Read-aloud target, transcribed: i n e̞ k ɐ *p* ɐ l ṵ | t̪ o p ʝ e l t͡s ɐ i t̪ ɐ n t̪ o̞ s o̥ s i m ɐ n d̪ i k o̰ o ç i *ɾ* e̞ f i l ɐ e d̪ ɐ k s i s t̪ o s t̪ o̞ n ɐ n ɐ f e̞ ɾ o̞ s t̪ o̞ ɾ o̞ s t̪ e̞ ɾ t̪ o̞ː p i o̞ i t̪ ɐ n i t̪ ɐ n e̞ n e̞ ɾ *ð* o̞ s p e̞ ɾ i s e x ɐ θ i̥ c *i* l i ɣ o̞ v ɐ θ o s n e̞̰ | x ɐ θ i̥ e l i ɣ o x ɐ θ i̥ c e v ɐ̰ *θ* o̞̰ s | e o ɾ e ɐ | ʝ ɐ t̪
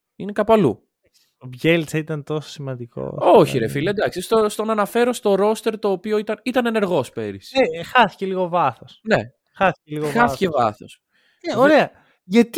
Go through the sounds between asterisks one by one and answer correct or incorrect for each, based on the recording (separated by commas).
correct, correct, incorrect, incorrect, correct